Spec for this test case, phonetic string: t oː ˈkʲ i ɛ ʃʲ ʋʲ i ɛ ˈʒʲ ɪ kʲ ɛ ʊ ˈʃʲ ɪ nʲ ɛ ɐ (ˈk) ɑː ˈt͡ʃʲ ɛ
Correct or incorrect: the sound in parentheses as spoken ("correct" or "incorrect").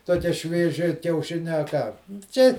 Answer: correct